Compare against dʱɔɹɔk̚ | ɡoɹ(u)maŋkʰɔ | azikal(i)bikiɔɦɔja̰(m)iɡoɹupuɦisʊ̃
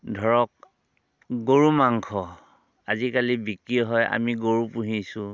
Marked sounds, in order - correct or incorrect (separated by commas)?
correct, correct, correct